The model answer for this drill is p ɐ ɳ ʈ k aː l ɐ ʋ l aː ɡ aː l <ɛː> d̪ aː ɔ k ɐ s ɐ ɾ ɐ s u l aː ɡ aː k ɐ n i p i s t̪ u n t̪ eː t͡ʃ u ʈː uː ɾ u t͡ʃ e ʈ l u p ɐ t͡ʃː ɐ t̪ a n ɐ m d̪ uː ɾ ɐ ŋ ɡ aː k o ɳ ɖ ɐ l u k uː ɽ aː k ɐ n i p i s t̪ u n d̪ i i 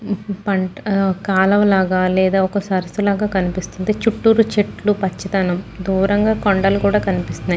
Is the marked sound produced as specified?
yes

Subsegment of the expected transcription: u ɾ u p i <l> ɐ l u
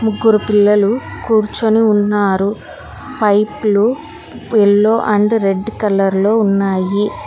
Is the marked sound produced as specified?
no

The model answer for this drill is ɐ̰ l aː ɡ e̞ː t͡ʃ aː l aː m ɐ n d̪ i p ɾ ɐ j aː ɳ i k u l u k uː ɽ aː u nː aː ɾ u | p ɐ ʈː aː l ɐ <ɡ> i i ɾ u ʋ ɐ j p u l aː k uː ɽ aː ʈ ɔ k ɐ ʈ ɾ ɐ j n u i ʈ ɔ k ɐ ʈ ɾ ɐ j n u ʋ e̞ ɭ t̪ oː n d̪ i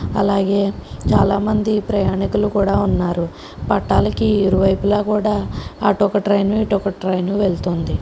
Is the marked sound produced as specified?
no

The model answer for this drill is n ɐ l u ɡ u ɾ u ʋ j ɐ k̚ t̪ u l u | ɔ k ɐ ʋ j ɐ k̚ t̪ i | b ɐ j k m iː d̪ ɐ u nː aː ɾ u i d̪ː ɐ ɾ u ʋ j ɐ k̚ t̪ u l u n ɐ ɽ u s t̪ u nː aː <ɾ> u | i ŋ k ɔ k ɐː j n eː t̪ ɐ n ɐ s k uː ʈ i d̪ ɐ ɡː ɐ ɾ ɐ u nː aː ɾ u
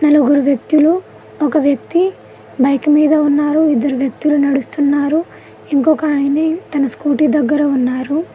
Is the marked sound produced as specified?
yes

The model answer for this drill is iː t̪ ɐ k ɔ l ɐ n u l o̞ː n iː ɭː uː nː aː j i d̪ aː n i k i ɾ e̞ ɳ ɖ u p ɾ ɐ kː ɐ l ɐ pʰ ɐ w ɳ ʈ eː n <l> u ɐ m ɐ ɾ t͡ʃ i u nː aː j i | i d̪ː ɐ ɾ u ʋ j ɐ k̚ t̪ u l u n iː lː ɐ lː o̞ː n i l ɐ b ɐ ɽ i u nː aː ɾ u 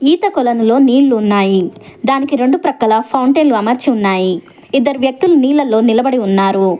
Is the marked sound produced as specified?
yes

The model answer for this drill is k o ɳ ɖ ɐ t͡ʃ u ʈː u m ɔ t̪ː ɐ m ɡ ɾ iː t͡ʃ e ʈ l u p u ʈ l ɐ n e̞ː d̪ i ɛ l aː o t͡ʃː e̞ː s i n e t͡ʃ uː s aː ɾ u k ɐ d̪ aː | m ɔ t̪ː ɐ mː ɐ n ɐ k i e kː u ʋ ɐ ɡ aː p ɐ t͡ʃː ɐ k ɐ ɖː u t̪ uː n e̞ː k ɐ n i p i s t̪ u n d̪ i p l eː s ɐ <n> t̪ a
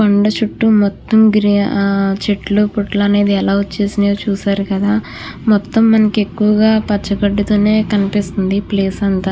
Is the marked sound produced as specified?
yes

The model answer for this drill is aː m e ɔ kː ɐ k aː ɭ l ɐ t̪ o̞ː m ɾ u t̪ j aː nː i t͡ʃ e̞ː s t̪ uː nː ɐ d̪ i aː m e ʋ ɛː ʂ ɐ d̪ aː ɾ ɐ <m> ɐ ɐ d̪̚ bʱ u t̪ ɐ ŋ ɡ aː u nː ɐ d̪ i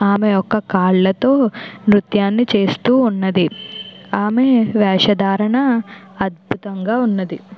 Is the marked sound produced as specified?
no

